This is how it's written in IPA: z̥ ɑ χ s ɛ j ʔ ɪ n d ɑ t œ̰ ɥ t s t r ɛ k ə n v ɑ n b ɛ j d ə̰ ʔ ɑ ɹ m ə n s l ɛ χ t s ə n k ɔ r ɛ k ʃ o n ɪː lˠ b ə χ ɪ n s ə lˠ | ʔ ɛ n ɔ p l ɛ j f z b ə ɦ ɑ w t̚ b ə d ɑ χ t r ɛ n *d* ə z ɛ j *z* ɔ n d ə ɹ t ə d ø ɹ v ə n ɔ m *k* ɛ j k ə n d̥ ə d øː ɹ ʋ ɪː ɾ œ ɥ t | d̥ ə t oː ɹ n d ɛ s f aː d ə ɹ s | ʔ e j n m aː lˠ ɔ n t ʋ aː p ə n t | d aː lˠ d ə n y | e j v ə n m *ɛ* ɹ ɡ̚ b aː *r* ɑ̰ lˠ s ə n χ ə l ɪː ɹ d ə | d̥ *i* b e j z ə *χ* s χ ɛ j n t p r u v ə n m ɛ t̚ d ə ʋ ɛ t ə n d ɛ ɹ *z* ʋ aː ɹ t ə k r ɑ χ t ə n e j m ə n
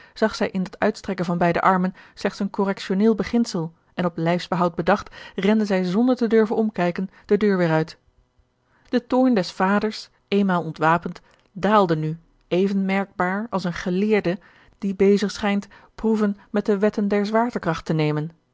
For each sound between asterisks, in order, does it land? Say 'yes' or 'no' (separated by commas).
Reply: yes, yes, yes, yes, no, yes, yes, yes